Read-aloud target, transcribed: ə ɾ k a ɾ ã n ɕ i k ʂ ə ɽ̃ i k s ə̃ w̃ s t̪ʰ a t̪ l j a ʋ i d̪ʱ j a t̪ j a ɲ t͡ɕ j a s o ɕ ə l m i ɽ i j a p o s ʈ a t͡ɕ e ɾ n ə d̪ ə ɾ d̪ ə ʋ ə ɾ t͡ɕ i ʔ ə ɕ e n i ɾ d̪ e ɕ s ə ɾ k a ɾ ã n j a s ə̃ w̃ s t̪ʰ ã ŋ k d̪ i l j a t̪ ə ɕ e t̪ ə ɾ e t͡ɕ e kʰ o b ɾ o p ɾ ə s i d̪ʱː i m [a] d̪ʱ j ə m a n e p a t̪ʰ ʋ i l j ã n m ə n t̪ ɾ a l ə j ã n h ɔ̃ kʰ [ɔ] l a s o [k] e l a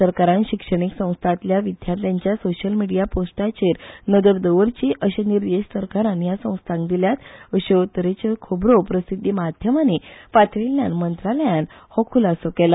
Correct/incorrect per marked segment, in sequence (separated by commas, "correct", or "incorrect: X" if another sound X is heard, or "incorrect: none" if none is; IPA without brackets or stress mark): correct, incorrect: u, correct